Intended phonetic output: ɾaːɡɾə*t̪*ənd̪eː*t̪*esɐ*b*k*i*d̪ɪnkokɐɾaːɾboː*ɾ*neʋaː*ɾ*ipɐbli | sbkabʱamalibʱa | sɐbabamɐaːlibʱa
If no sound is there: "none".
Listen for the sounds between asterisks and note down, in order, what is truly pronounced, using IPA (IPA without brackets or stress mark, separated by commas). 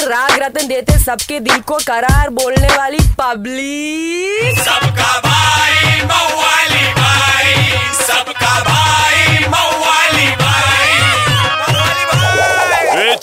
t̪, t̪, b, e, l, l